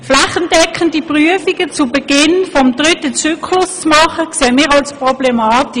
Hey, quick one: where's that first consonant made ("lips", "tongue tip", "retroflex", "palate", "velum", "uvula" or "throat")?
lips